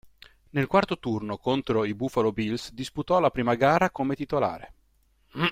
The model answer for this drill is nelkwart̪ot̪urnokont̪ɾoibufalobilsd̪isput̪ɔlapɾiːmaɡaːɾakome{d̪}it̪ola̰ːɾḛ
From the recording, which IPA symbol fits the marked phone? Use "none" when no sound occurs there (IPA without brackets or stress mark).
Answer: t̪